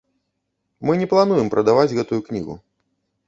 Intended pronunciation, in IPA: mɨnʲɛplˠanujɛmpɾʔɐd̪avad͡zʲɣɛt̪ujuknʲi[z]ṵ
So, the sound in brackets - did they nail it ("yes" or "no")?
no